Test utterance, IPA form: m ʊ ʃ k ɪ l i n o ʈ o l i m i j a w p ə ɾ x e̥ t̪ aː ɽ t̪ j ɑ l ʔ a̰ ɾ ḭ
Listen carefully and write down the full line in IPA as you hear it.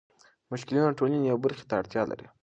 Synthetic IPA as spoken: m ʊ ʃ k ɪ l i n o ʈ o l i n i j a w b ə ɾ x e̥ t̪ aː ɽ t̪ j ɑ l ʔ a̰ ɾ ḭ